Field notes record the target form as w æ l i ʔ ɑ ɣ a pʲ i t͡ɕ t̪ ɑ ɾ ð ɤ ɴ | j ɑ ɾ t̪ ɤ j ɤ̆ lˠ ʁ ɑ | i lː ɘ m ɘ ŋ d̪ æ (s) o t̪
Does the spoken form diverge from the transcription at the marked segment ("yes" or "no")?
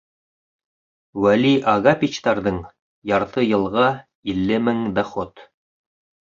yes